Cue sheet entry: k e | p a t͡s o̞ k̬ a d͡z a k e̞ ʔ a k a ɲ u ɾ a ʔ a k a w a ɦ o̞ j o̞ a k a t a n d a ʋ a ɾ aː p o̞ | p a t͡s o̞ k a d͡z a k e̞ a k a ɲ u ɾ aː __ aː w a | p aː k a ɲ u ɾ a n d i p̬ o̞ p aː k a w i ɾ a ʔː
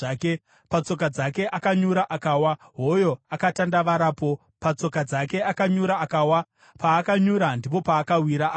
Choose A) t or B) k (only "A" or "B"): B